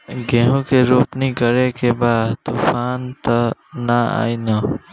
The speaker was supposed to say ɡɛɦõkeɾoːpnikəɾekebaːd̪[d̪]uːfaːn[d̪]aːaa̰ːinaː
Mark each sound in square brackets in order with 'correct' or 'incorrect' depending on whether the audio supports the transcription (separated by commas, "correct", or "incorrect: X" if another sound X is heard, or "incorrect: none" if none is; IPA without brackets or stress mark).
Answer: incorrect: t̪, incorrect: t̪